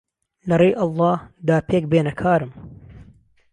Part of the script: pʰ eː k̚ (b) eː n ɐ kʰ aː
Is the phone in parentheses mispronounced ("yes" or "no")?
no